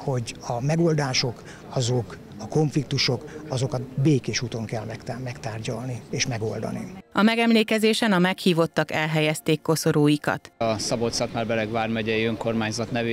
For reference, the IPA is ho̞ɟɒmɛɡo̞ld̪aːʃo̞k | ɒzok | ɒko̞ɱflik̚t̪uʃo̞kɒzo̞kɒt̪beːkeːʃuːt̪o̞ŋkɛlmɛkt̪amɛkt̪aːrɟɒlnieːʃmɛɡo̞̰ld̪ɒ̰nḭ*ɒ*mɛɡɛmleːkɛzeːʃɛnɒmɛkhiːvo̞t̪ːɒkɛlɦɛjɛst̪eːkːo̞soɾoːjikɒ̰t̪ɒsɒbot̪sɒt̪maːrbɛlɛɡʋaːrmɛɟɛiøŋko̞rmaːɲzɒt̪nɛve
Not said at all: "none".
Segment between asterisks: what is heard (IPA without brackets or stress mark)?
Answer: ɒ